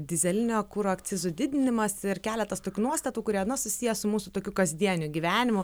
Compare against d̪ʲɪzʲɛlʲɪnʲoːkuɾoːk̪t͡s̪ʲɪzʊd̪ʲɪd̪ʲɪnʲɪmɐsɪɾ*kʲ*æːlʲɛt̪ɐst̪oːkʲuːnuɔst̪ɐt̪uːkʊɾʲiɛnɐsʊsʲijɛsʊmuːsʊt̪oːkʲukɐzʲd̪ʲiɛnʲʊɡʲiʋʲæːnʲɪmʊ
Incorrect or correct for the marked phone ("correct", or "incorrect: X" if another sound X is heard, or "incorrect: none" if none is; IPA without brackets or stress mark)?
correct